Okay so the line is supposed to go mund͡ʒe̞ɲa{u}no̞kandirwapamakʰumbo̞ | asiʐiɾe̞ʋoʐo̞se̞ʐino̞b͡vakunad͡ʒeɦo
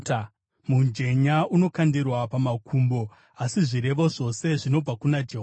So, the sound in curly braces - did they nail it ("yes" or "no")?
yes